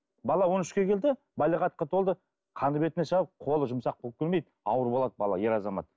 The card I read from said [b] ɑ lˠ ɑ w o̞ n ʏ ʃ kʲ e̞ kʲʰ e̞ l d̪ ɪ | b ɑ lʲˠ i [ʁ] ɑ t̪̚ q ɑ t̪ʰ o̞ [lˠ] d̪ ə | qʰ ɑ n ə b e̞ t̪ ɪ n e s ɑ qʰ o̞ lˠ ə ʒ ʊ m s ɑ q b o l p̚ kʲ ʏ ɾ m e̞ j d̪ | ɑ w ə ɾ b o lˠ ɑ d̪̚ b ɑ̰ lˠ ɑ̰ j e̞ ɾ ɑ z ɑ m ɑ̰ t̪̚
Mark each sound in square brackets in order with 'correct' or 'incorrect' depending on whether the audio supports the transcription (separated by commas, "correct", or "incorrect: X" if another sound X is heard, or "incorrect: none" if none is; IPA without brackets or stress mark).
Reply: correct, correct, correct